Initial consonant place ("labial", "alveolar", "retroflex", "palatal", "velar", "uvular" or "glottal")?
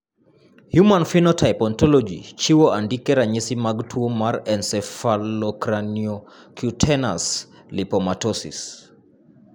glottal